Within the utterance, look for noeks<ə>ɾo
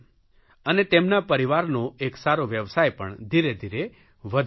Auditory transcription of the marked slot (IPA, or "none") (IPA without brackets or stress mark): a